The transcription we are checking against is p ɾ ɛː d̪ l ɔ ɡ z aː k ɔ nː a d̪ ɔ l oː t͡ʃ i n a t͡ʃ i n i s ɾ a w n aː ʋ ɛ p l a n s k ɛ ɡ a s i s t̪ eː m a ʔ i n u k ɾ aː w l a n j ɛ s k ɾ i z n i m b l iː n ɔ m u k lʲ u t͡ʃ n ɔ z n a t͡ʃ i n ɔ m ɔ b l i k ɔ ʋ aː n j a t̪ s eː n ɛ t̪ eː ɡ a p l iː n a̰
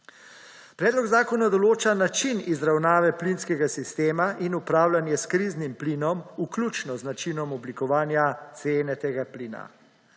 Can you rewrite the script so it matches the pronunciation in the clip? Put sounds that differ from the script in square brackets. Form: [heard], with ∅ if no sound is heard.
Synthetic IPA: p ɾ ɛː d̪ l ɔ ɡ z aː k ɔ [n] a d̪ ɔ l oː t͡ʃ [a] n a t͡ʃ i n i [z] ɾ a w n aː ʋ ɛ p l [i] n s k ɛ ɡ a s i s t̪ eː m a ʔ i n u [p] ɾ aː w l a n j ɛ s k ɾ i z n i m [p] l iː n ɔ m u k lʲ u t͡ʃ n ɔ z n a t͡ʃ i n ɔ m ɔ b l i k ɔ ʋ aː n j a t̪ s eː n ɛ t̪ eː ɡ a p l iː n a̰